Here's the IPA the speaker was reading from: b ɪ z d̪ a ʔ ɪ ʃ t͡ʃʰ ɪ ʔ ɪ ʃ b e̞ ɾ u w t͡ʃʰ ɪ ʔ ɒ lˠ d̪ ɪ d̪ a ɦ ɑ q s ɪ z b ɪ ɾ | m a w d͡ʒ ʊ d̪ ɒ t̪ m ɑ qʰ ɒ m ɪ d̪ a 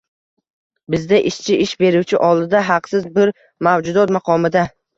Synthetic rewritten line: b ɪ z d̪ a ʔ ɪ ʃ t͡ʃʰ ɪ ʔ ɪ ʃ b e̞ ɾ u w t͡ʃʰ ɪ ʔ ɒ lˠ d̪ ɪ d̪ a ɦ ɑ q s ɪ z b ɪ ɾ | m a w d͡ʒ ʊ d̪ ɒ t̪ m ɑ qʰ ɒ m ɪ d̪ a